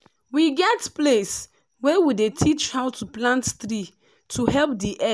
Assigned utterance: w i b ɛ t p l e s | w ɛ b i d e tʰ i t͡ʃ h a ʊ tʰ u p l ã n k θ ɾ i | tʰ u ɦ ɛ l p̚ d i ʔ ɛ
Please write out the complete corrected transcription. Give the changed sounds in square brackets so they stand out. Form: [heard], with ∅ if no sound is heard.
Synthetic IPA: w i [ɡ] ɛ t p l e s | w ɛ [w] i d e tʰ i t͡ʃ h a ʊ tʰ u p l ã n [t] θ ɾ i | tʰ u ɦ ɛ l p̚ d i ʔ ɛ